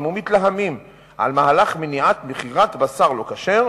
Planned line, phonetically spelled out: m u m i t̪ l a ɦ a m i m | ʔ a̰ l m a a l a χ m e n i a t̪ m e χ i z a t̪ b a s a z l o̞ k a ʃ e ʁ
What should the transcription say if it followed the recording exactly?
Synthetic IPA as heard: m u m i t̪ l a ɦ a m i m | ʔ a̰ l m a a l a χ m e n i a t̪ m e χ i ʁ a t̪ b a s a ʁ l o̞ k a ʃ e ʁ